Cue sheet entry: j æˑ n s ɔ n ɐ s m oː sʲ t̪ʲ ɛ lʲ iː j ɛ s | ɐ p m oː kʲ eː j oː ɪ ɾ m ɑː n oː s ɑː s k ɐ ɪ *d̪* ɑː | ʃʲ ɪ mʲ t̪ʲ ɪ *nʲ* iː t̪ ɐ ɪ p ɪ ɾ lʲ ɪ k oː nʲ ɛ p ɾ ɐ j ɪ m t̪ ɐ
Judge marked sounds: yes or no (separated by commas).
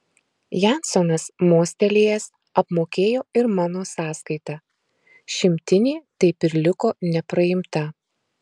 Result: no, yes